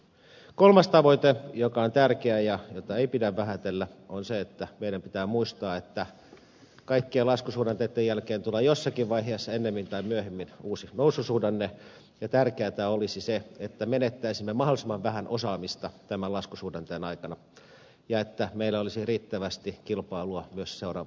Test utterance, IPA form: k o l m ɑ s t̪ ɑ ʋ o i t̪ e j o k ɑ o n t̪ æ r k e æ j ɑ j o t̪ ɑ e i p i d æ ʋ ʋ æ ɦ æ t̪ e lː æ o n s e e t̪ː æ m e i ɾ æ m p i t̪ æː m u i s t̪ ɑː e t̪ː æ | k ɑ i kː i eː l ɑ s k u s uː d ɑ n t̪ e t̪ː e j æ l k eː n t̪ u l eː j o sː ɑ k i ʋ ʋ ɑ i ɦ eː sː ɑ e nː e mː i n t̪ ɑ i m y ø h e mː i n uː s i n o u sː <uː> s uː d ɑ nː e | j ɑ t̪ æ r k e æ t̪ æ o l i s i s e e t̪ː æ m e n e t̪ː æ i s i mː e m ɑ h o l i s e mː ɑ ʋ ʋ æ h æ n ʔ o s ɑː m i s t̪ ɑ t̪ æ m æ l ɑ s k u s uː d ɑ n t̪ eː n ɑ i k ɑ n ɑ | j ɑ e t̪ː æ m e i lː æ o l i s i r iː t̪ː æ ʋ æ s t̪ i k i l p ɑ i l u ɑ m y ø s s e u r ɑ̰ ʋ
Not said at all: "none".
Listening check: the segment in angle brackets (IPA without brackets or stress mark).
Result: u